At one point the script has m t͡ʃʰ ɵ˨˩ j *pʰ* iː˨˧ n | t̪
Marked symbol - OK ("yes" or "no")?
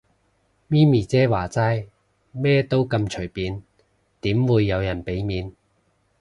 no